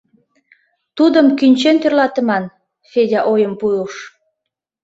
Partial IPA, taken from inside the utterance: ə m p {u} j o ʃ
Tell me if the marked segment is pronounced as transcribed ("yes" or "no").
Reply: yes